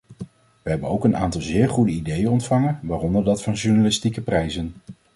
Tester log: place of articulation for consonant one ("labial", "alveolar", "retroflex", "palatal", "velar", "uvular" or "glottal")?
labial